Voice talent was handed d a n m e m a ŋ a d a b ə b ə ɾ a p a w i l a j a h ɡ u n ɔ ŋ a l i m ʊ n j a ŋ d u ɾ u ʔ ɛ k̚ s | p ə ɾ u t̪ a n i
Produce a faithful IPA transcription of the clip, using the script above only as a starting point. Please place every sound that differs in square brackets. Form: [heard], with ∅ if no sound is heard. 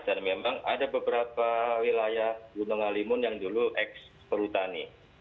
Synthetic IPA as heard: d a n m e m a ŋ a d a b ə b ə ɾ a p a w i l a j a h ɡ u n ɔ ŋ a l i m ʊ n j a ŋ d u [l] u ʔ ɛ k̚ s | p ə ɾ u t̪ a n i